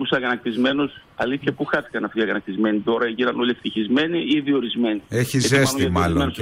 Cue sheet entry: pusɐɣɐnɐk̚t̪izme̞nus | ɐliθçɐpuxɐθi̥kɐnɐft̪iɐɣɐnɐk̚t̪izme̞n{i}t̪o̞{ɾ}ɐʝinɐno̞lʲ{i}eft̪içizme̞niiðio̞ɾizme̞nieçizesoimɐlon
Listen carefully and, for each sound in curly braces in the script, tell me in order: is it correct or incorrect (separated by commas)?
correct, correct, correct